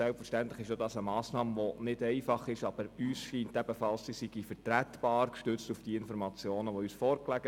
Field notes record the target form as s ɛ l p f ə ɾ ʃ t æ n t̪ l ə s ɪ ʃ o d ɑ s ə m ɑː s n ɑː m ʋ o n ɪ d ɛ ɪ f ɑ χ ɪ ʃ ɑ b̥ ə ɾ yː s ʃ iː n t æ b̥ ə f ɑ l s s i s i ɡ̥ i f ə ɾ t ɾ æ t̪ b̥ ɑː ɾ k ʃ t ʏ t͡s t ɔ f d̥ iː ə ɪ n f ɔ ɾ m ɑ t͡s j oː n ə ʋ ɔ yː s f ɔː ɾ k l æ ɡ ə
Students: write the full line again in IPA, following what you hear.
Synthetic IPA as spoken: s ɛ l p f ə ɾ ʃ t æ n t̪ l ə χ ɪ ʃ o d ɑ s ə m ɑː s n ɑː m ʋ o n ɪ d ɛ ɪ f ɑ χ ɪ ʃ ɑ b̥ ə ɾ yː s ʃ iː n t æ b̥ ə f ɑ l s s i s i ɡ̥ i f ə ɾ t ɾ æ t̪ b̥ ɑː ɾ k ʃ t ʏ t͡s t u f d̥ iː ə ɪ n f ɔ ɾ m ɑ t͡s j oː n ə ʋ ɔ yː s f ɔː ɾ k l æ ɡ ə